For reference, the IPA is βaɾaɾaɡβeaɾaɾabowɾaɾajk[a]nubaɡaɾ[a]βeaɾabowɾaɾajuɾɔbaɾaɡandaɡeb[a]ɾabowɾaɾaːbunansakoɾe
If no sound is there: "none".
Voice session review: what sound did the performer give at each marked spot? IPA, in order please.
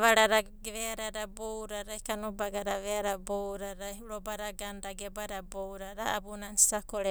a, a, a

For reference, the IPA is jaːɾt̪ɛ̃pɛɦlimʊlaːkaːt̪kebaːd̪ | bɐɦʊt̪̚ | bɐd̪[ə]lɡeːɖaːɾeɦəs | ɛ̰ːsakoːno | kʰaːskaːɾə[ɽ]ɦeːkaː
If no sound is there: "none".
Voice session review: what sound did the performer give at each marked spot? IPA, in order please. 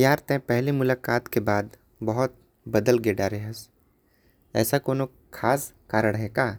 ə, ɽ

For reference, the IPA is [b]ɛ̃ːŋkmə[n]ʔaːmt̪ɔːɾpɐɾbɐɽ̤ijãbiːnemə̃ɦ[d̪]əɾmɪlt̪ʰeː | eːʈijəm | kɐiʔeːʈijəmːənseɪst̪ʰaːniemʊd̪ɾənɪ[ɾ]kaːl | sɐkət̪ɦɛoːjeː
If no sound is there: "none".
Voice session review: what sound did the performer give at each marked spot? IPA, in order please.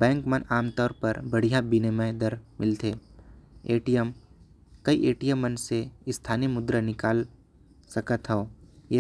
b, n, d̪, none

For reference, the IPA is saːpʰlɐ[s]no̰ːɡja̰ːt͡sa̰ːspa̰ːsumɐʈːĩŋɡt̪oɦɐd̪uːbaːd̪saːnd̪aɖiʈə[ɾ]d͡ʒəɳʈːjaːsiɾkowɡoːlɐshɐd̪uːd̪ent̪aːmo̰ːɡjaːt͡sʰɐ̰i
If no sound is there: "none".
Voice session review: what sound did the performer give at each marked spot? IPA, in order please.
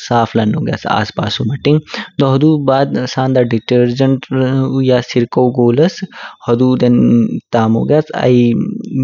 none, ɾ

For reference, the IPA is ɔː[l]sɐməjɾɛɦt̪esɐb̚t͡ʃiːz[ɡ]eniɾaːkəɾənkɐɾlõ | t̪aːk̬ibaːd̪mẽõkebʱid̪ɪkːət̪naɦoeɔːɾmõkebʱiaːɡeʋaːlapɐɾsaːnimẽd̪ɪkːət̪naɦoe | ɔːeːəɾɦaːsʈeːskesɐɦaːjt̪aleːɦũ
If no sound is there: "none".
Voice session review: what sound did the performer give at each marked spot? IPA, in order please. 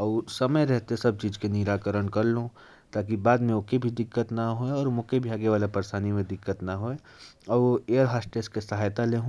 none, k

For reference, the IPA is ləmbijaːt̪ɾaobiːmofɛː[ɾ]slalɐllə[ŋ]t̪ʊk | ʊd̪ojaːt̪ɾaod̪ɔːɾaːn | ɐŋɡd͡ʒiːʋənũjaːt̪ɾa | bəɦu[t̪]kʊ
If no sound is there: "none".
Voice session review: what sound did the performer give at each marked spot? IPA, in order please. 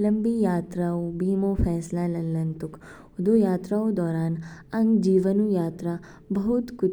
none, n, t̪

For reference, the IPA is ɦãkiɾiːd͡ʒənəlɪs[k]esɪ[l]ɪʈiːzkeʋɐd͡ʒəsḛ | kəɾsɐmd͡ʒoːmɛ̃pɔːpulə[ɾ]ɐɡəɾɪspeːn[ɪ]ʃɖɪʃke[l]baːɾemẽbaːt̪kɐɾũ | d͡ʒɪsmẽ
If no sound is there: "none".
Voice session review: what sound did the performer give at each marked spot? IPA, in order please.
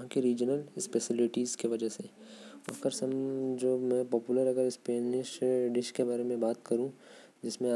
p, l, ɾ, ɪ, none

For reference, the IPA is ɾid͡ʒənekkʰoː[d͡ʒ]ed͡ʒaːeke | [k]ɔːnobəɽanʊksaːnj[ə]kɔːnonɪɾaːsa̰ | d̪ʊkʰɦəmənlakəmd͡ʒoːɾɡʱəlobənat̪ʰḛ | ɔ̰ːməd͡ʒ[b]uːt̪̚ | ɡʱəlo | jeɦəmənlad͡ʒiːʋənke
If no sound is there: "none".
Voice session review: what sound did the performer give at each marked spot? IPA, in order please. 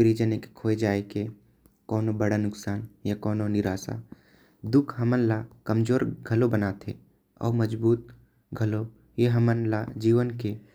none, k, a, b

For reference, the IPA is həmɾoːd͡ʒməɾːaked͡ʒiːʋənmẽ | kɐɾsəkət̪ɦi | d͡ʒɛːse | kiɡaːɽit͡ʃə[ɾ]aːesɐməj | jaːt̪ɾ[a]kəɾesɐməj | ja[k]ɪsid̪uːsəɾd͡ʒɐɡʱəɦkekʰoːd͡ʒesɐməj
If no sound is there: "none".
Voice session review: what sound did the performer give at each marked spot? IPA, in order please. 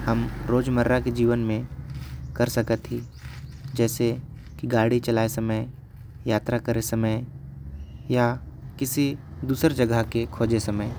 l, a, k

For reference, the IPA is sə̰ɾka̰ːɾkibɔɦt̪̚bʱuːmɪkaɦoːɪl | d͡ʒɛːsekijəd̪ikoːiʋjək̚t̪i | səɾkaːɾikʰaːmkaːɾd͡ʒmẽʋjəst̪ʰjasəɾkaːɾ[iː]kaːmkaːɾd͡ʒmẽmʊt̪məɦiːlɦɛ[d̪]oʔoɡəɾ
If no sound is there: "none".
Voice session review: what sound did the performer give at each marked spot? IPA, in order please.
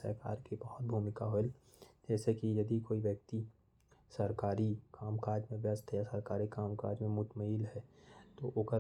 i, t̪

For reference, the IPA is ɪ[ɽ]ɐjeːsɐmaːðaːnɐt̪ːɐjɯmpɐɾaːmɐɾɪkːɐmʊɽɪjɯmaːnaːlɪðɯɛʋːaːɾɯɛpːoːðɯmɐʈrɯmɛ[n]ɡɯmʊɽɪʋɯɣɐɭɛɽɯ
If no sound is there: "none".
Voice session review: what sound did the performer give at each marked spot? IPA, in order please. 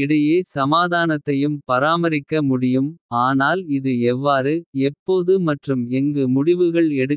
ɽ, ŋ

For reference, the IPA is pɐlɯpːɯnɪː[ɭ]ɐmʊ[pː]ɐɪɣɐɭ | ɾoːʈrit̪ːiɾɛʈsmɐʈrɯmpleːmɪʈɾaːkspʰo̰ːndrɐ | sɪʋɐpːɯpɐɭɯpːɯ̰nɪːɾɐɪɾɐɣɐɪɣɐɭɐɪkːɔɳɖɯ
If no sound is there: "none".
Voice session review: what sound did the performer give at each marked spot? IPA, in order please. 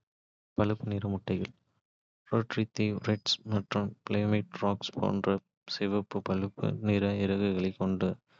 ɾ, ʈː

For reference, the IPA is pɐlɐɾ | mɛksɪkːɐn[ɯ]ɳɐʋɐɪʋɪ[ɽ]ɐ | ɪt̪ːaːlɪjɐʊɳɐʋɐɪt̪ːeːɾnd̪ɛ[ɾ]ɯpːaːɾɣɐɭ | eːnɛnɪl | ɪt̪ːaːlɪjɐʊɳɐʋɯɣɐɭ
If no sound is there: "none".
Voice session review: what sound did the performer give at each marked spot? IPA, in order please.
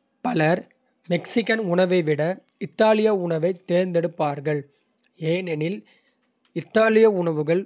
ʊ, ɽ, ɽ

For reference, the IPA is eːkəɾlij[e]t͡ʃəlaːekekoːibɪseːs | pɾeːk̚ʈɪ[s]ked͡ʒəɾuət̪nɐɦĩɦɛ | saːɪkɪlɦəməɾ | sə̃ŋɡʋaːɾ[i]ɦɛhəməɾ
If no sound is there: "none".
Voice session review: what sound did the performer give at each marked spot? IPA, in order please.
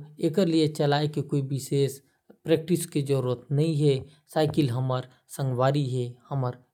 e, s, i

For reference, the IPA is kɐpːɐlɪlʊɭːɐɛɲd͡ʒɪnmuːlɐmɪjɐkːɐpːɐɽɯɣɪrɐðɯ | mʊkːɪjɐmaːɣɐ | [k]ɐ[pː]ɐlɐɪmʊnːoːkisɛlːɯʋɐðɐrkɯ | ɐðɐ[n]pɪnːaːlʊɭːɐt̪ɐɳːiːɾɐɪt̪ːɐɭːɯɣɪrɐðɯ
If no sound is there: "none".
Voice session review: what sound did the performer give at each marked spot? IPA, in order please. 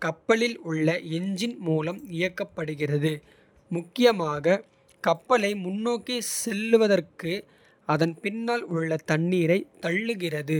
k, pː, n

